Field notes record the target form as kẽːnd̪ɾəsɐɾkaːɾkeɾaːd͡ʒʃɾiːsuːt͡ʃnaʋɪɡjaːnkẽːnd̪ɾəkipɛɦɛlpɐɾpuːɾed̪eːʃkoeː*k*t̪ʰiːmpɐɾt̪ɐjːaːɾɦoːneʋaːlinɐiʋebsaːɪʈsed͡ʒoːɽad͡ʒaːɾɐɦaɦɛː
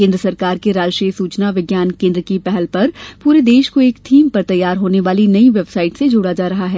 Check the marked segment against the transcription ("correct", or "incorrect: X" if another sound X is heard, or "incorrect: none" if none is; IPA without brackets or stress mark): correct